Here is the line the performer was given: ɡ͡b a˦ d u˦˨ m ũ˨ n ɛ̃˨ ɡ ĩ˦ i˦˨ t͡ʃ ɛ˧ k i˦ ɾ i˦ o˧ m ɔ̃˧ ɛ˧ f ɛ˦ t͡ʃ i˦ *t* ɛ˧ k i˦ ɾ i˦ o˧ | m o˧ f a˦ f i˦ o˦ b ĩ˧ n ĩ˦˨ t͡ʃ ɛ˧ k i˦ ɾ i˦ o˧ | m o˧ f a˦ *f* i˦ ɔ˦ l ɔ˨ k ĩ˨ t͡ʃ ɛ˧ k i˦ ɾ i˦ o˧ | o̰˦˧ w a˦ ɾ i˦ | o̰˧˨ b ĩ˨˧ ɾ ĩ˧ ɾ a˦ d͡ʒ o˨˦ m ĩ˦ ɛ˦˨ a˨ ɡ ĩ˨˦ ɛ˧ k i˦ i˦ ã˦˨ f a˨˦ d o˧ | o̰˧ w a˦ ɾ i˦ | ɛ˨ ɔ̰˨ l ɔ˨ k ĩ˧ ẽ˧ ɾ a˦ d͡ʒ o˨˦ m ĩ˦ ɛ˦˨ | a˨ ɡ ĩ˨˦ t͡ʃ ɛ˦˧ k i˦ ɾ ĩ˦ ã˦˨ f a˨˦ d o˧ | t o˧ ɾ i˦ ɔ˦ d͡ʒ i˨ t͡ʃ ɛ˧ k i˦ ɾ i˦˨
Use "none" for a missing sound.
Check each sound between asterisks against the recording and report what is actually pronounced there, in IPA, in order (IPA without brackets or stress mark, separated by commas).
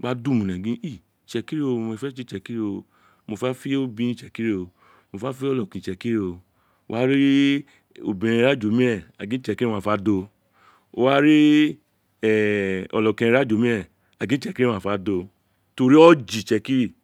t͡ʃ, f